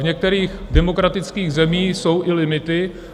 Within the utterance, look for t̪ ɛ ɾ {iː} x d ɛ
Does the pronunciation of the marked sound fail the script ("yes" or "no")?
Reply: no